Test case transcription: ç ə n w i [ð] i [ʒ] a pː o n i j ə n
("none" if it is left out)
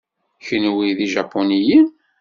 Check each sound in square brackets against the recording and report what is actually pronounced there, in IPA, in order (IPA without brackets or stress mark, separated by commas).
ð, ʒ